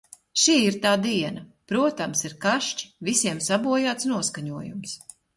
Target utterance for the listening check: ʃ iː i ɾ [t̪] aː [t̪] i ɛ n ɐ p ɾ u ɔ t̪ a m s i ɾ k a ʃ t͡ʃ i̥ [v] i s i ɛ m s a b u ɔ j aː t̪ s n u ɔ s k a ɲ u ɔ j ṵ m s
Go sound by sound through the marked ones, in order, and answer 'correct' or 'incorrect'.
correct, incorrect: d̪, correct

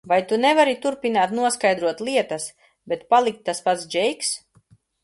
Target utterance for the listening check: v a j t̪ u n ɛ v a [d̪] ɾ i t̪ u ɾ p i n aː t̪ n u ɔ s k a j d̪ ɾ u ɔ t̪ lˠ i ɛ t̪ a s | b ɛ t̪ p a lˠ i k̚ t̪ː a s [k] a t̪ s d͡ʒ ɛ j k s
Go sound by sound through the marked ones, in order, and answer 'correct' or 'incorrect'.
incorrect: none, incorrect: p

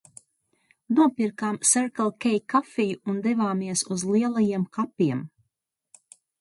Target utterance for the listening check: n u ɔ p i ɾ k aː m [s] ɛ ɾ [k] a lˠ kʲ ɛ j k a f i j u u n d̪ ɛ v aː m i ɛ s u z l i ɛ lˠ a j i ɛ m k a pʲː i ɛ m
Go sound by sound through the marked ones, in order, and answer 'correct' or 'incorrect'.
correct, correct

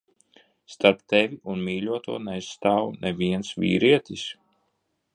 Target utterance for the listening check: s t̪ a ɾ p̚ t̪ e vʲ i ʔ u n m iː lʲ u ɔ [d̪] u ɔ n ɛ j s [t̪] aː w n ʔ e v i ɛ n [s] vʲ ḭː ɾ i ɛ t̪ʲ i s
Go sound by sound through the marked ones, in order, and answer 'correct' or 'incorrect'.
incorrect: t̪, correct, correct

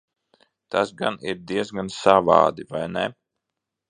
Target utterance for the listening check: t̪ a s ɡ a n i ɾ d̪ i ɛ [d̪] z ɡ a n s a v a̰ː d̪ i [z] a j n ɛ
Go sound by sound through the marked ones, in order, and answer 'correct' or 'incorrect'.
incorrect: none, incorrect: v

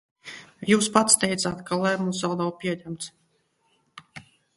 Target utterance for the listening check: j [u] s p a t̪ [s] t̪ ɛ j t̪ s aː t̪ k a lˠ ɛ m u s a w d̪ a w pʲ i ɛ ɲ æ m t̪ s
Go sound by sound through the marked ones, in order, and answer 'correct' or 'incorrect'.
incorrect: uː, correct

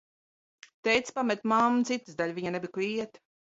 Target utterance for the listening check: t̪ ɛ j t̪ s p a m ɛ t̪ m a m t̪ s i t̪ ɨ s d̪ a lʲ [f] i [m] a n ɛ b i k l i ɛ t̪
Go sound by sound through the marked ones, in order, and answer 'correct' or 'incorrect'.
incorrect: v, incorrect: ɲ

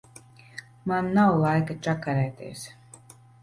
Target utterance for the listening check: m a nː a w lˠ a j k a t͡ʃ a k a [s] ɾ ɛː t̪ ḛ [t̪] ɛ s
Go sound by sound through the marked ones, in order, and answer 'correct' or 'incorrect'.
incorrect: none, incorrect: none

